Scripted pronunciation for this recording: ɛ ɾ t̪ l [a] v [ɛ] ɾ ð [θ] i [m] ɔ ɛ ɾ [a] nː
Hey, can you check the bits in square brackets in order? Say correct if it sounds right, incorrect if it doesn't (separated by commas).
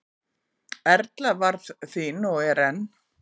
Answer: correct, incorrect, correct, incorrect, incorrect